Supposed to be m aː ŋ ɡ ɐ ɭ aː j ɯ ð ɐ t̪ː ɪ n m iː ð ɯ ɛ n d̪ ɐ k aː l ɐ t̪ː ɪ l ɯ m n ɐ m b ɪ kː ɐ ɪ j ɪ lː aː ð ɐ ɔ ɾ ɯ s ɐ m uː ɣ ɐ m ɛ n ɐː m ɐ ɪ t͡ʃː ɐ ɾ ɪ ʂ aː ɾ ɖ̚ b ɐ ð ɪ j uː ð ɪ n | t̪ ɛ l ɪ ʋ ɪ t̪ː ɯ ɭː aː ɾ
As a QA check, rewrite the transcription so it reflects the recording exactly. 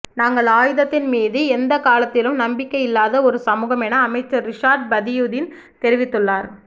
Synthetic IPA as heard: n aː ŋ ɡ ɐ ɭ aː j ɯ ð ɐ t̪ː ɪ n m iː ð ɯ ɛ n d̪ ɐ k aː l ɐ t̪ː ɪ l ɯ m n ɐ m b ɪ kː ɐ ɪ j ɪ lː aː ð ɐ ɔ ɾ ɯ s ɐ m uː ɣ ɐ m ɛ n ɐː m ɐ ɪ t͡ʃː ɐ ɾ ɪ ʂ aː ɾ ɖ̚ b ɐ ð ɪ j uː ð ɪ n | t̪ ɛ ɾ ɪ ʋ ɪ t̪ː ɯ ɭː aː ɾ